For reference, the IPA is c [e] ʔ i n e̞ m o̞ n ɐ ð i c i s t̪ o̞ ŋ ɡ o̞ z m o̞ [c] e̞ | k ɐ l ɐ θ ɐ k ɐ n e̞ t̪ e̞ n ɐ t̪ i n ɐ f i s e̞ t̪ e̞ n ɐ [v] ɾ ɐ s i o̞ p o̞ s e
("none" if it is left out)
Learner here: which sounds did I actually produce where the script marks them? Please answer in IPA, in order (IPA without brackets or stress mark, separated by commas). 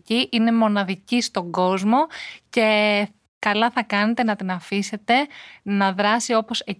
i, c, ð